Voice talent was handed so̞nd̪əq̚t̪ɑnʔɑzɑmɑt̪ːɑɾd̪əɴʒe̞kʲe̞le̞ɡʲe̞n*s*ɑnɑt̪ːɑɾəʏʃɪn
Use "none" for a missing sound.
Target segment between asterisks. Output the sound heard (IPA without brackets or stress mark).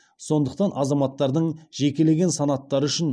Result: s